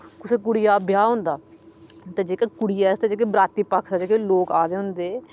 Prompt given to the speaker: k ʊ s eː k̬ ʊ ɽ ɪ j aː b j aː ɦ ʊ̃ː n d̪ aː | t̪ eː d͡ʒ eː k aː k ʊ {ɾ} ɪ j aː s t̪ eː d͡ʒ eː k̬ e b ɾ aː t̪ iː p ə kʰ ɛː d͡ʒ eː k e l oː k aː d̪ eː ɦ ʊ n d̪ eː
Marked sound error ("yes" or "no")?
yes